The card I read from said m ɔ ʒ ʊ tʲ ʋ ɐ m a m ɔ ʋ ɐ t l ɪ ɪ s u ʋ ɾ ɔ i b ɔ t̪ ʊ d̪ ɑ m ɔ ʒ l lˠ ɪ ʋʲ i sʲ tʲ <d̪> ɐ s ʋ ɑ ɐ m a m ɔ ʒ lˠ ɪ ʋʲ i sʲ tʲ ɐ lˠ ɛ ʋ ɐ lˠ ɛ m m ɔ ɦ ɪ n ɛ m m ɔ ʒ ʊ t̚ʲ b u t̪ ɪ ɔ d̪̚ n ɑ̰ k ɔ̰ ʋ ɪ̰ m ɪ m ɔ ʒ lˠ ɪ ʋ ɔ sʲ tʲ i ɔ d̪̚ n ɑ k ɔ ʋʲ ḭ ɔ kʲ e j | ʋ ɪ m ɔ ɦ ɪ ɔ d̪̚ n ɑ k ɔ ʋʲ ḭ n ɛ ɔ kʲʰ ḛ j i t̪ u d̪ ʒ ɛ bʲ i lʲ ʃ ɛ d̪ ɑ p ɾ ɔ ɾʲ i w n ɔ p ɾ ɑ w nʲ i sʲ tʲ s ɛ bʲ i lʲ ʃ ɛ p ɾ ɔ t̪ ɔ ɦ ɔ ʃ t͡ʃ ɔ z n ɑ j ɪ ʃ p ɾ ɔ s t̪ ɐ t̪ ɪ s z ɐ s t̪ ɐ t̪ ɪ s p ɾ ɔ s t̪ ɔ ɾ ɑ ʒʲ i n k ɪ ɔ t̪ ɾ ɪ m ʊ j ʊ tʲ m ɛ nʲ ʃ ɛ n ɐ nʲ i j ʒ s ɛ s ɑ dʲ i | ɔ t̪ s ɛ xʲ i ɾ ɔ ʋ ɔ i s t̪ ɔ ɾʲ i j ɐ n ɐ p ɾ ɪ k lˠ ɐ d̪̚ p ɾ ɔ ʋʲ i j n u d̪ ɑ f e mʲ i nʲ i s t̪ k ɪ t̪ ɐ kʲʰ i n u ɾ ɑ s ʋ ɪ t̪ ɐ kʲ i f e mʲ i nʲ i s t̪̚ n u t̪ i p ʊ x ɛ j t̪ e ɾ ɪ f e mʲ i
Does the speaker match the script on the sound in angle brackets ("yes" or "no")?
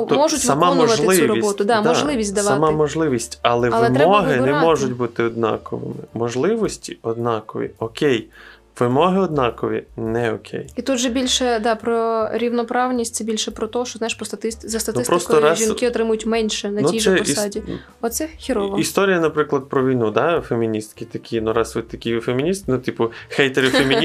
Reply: yes